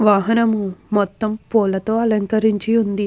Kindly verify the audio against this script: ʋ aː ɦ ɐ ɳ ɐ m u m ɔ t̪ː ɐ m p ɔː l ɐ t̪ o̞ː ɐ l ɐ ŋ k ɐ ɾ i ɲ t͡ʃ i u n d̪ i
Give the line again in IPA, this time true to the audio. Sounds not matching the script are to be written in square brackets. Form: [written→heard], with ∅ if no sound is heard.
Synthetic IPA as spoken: ʋ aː ɦ ɐ [ɳ→n] ɐ m u m ɔ t̪ː ɐ m p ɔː l ɐ t̪ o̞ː ɐ l ɐ ŋ k ɐ ɾ i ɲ t͡ʃ i u n d̪ i